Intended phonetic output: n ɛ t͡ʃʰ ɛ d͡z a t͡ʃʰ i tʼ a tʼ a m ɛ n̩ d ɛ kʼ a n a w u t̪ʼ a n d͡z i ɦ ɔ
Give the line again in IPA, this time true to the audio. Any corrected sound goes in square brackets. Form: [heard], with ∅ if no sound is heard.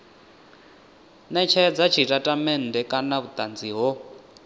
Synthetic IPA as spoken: n ɛ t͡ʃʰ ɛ d͡z a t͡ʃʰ i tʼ a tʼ a m ɛ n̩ d ɛ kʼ a n a [β] u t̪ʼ a n d͡z i ɦ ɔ

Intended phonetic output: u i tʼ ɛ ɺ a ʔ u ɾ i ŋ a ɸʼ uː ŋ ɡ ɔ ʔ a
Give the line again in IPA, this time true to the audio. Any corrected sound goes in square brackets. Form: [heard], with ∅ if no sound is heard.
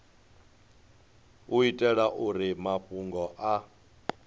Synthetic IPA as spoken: u i tʼ ɛ ɺ a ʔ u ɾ i [m] a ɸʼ [u] ŋ ɡ ɔ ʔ a

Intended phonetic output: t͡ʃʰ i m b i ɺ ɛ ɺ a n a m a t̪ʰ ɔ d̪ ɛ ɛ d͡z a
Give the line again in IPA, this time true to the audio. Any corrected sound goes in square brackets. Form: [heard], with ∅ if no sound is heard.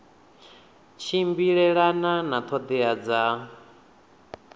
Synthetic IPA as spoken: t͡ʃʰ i m b i ɺ ɛ ɺ a n a [n] a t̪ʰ ɔ d̪ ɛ [a] d͡z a

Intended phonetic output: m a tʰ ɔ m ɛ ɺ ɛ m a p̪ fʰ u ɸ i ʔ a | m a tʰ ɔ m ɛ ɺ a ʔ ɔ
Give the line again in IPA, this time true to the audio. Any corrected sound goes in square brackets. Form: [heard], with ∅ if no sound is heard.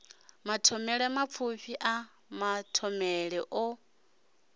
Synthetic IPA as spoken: m a tʰ ɔ m ɛ ɺ ɛ m a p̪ fʰ u ɸ i ʔ a | m a tʰ ɔ m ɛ ɺ [ɛ] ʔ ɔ

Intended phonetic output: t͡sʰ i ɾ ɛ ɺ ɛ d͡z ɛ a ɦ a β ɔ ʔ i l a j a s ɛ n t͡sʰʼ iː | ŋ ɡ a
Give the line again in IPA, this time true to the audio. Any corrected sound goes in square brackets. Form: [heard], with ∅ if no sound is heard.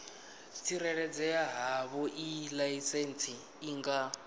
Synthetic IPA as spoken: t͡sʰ i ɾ ɛ ɺ ɛ d͡z ɛ a ɦ a β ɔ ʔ i l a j [i] s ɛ n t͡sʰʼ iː | ŋ ɡ a

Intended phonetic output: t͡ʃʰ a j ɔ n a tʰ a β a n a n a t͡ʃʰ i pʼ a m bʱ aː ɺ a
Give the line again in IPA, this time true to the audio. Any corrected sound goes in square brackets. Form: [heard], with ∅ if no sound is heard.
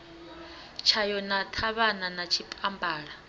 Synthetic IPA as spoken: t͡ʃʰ a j ɔ n a tʰ a β a n a n a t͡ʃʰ i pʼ a m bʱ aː ɺ a

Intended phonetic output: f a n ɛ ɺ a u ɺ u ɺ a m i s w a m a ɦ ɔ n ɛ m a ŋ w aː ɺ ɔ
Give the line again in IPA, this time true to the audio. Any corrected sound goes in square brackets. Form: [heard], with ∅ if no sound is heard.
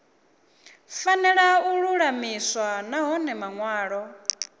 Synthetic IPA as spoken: f a n ɛ ɺ a u ɺ u ɺ a m i s w a [n] a ɦ ɔ n ɛ m a ŋ w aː ɺ ɔ

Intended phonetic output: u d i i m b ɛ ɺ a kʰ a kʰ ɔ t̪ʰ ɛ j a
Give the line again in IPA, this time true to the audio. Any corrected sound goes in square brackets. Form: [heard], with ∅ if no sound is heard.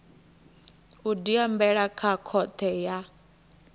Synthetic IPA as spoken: u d i [a] m b ɛ ɺ a kʰ a kʰ ɔ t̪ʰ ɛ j a

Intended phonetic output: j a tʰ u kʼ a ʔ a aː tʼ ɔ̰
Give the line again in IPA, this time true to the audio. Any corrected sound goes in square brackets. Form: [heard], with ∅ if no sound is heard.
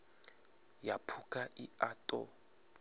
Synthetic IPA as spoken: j a [pʰ] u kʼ a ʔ [i] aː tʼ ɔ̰

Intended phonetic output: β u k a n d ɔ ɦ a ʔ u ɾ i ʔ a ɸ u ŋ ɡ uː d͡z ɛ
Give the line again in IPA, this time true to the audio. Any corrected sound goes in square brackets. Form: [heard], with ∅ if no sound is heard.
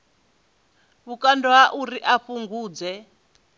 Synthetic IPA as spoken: β u k a n d ɔ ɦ a ʔ u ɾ i ʔ a ɸ u ŋ ɡ uː d͡z ɛ

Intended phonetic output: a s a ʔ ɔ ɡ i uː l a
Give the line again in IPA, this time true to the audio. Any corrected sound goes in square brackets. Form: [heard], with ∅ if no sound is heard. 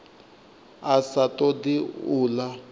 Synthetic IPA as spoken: a s a [t] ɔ [d] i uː l a

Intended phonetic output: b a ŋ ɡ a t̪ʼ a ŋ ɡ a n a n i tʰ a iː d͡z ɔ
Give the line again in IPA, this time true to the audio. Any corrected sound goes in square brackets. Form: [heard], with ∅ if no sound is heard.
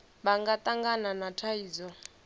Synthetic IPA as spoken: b a ŋ ɡ a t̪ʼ a ŋ ɡ a n a n [a] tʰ a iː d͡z ɔ

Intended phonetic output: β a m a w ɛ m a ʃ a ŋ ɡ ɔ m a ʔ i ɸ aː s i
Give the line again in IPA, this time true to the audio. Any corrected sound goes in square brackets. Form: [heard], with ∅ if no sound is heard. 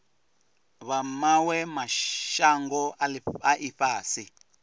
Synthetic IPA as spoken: β a m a w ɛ m a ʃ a ŋ ɡ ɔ [∅] a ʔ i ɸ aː s i

